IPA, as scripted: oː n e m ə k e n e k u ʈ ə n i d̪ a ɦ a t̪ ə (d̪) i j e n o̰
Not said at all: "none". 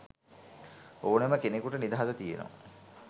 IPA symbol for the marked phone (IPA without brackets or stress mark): t̪